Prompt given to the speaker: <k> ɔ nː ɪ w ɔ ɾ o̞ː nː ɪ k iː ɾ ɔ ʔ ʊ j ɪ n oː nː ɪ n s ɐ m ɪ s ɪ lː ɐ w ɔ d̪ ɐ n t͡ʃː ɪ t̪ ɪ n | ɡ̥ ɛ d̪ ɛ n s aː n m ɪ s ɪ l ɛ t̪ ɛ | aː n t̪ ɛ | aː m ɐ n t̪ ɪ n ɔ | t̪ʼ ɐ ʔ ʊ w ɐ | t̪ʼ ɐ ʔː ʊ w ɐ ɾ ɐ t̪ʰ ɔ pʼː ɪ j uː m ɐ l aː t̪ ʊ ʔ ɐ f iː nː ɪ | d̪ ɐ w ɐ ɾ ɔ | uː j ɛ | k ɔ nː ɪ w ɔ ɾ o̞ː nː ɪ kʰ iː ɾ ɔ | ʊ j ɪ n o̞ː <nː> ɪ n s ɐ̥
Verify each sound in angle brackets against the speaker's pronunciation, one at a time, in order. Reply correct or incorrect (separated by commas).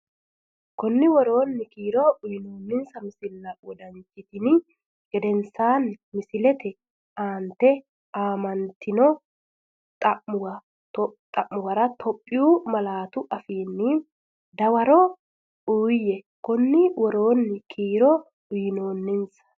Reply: correct, correct